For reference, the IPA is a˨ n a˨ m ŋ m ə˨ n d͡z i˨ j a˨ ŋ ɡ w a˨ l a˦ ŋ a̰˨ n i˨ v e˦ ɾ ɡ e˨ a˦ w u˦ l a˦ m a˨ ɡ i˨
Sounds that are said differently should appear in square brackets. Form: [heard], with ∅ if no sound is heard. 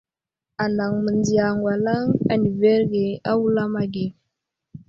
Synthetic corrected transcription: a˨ n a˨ [∅] ŋ m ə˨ n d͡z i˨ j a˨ ŋ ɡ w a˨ l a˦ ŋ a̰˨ n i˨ v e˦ ɾ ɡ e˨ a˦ w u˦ l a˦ m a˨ ɡ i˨